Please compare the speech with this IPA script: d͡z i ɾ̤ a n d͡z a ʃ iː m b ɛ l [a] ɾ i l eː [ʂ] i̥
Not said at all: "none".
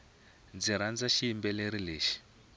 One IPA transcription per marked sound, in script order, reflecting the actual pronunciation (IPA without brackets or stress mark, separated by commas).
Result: e, ʃ